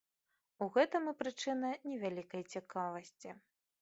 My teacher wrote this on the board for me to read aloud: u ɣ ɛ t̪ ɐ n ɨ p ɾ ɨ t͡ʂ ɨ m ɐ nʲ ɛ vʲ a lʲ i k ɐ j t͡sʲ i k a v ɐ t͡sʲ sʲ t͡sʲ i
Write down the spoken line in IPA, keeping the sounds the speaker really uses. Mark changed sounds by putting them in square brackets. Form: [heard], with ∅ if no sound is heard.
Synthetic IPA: u ɣ ɛ t̪ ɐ [m] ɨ p ɾ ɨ t͡ʂ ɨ [n] ɐ nʲ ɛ vʲ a lʲ i k ɐ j t͡sʲ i k a v ɐ [∅] sʲ t͡sʲ i